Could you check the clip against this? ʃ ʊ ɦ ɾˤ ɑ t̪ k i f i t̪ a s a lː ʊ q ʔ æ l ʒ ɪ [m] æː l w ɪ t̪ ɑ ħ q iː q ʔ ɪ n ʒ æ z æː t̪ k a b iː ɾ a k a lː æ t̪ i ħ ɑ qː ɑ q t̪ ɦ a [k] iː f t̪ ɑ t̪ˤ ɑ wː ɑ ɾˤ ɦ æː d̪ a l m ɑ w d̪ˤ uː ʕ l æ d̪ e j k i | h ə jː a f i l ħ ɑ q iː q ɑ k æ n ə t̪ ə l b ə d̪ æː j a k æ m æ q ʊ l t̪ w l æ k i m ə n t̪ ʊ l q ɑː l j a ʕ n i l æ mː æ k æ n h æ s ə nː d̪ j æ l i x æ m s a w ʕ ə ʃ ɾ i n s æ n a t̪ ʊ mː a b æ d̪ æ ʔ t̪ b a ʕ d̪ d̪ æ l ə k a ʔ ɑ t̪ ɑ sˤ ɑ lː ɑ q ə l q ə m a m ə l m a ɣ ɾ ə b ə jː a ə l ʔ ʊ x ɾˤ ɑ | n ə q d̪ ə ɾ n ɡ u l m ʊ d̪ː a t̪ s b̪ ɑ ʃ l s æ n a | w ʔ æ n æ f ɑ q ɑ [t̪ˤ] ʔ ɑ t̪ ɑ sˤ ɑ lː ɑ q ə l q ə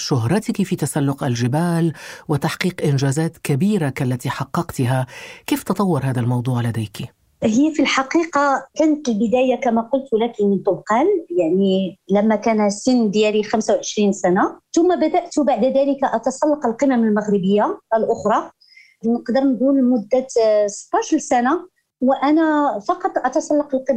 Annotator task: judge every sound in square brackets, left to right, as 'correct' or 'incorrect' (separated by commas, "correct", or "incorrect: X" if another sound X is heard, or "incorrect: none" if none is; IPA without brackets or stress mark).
incorrect: b, correct, correct